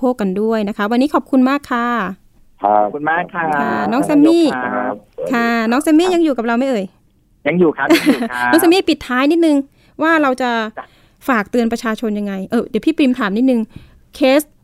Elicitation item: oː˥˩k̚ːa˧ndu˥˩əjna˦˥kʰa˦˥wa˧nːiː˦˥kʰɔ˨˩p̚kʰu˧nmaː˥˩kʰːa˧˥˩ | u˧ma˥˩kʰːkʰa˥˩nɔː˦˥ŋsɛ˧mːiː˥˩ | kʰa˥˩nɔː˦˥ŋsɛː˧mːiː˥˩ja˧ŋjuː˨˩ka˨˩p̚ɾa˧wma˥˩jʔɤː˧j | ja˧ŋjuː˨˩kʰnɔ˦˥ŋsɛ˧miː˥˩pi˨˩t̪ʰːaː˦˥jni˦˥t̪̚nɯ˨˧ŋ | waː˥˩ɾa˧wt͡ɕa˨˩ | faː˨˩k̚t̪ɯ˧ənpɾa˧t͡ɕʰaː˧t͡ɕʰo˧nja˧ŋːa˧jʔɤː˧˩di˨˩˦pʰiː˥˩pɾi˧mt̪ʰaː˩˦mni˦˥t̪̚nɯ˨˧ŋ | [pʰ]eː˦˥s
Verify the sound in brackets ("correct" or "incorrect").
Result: incorrect